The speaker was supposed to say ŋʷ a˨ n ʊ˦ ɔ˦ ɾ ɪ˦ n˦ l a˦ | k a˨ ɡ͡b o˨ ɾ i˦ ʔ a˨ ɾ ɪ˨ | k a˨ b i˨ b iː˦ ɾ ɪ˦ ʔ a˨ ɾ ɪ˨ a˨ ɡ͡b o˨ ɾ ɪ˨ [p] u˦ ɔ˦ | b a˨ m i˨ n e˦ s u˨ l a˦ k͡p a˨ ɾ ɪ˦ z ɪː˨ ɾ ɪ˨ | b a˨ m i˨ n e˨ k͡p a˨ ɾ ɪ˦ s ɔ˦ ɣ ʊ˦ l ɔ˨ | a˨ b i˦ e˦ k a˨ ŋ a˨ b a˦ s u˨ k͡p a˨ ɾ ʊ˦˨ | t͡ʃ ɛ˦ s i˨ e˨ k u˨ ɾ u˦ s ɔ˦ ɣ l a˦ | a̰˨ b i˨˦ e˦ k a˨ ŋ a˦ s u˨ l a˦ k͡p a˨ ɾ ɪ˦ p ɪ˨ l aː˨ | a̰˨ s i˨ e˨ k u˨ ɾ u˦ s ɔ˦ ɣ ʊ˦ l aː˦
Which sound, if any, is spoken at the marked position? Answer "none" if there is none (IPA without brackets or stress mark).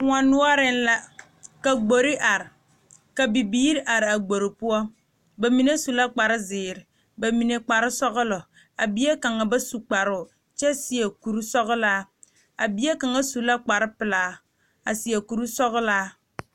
p